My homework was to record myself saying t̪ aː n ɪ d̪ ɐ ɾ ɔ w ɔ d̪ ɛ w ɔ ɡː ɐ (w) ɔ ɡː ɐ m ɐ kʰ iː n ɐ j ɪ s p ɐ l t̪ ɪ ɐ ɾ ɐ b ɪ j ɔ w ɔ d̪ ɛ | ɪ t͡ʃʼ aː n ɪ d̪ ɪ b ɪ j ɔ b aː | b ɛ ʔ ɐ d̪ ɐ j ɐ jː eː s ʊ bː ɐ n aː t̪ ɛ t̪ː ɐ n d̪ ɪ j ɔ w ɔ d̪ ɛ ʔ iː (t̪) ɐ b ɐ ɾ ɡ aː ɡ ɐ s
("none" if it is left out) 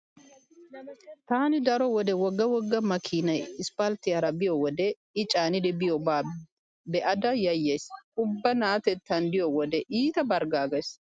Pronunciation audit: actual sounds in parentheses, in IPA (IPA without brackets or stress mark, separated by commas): w, t̪